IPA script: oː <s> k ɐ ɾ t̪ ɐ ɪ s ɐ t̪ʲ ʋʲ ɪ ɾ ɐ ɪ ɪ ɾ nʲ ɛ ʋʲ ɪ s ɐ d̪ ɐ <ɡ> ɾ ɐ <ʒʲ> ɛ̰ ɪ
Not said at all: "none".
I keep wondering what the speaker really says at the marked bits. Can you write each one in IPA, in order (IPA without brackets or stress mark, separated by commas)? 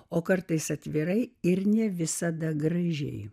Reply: none, ɡ, ʒʲ